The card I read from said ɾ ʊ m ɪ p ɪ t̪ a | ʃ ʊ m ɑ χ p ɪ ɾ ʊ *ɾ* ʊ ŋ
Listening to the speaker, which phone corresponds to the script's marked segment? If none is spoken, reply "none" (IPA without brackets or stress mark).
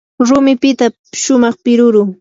ɾ